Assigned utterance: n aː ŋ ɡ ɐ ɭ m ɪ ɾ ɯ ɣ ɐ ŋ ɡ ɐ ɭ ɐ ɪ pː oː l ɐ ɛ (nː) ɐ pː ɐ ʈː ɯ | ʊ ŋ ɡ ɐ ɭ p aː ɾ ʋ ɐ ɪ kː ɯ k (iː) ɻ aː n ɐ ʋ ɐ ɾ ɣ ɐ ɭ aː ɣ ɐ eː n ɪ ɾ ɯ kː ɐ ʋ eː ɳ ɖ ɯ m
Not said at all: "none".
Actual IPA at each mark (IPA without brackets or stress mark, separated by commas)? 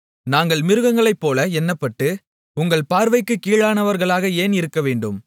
nː, iː